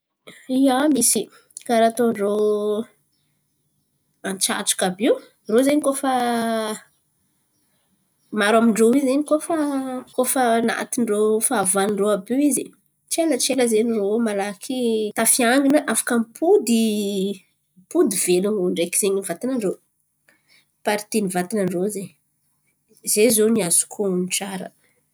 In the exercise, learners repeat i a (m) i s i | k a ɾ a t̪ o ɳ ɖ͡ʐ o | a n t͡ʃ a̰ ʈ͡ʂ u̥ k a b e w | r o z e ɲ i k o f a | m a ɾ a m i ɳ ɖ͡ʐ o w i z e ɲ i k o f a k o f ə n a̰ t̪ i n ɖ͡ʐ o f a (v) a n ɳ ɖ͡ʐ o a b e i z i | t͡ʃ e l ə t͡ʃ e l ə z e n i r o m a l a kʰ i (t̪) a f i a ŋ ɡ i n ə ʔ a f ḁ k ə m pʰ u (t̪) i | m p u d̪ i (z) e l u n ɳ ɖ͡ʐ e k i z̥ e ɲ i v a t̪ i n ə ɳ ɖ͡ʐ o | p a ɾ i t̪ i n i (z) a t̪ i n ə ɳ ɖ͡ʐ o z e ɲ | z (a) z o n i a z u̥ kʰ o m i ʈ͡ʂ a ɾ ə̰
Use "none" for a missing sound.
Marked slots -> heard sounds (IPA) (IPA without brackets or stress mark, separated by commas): m, v, t̪, d̪, v, v, e